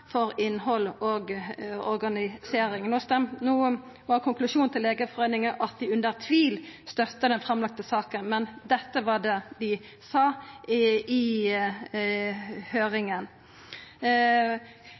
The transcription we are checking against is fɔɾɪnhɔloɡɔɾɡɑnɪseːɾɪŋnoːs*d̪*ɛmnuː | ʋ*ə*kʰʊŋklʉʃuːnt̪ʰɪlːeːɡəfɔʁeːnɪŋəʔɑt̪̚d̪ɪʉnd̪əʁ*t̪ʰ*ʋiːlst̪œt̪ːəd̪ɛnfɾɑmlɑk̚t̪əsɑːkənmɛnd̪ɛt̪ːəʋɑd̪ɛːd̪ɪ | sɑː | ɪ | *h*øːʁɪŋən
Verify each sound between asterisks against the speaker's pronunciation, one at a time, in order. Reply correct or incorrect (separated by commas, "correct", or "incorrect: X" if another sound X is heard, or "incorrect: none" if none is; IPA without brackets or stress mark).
incorrect: t̪, incorrect: ɑ, correct, correct